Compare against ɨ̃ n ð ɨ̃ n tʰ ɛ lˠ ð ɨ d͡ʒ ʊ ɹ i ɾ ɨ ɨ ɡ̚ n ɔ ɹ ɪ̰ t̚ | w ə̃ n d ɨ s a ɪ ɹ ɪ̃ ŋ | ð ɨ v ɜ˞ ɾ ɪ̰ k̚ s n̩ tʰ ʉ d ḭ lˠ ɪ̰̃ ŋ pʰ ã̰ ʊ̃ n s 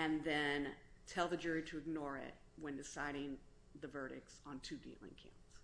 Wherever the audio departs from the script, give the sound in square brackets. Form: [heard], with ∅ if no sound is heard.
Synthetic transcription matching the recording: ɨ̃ n ð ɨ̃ n tʰ ɛ lˠ ð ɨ d͡ʒ ʊ ɹ i ɾ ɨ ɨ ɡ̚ n ɔ ɹ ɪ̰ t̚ | w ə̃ n d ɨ s a ɪ [ɾ] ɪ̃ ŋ | ð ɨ v ɜ˞ ɾ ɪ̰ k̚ s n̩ tʰ ʉ d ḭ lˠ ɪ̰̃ ŋ [kʰ] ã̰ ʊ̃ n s